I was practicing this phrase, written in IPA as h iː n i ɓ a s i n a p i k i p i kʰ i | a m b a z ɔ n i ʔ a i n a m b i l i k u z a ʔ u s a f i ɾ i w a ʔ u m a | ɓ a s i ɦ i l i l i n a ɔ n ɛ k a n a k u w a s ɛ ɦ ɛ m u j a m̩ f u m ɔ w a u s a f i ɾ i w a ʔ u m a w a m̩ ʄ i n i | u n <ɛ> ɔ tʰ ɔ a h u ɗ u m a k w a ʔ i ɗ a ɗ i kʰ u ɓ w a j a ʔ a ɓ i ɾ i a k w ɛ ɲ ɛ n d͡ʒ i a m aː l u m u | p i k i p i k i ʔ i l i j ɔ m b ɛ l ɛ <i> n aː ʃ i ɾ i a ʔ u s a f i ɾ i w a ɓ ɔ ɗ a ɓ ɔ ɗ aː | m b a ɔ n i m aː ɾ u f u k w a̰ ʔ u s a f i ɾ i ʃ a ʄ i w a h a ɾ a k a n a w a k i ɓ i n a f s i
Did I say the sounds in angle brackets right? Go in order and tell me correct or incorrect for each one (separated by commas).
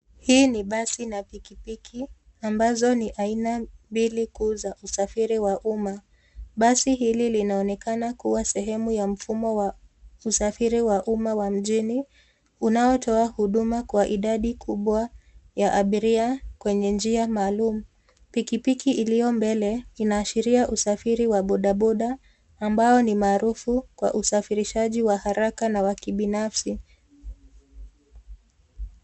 incorrect, correct